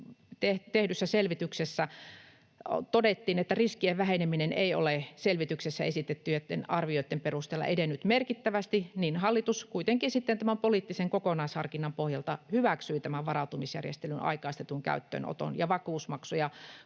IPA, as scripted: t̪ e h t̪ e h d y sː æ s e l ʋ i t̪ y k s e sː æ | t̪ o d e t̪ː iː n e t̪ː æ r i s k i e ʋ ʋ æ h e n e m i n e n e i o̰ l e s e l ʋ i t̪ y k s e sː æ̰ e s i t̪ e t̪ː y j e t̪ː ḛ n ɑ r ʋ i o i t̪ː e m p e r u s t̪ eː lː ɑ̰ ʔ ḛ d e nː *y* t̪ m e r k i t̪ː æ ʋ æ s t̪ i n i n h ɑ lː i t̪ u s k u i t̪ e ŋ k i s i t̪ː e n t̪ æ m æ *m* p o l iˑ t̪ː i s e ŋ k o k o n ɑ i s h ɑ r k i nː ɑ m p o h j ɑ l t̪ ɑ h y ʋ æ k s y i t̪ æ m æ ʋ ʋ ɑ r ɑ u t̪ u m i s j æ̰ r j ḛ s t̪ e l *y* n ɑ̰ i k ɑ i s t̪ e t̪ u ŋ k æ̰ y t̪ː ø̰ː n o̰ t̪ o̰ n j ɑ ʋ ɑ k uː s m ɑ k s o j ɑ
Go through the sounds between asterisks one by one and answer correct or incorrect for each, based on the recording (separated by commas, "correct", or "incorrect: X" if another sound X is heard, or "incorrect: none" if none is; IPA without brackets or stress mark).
correct, correct, correct